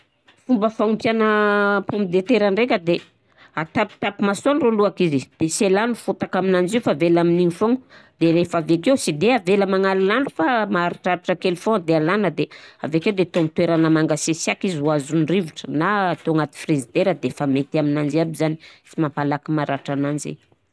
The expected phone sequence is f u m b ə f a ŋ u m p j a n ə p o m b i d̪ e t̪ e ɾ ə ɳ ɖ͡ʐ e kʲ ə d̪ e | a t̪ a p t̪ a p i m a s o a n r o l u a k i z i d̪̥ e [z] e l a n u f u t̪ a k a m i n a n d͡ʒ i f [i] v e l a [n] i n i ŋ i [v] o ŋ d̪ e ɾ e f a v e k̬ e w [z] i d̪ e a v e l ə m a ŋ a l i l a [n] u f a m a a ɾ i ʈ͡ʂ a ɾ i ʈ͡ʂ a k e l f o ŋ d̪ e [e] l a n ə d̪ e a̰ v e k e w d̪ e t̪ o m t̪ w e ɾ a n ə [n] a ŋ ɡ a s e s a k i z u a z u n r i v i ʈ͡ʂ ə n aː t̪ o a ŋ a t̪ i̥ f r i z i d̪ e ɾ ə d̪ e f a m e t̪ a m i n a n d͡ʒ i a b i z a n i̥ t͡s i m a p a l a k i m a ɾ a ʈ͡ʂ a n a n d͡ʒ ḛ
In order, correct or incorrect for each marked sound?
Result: incorrect, incorrect, incorrect, incorrect, incorrect, correct, incorrect, incorrect

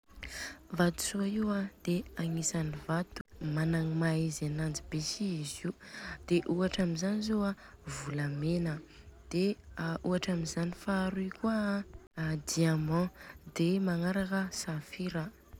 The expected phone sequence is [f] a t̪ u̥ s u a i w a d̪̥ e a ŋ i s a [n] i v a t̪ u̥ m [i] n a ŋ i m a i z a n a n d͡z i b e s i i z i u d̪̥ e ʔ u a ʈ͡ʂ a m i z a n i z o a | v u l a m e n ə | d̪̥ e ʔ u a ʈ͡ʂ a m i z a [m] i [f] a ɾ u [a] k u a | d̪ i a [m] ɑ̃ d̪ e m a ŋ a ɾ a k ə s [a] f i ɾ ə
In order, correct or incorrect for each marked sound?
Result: incorrect, correct, incorrect, incorrect, correct, incorrect, correct, correct

